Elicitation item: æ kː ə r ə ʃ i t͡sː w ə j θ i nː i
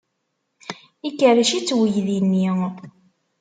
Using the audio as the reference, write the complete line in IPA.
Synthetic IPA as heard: i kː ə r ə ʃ i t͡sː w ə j ð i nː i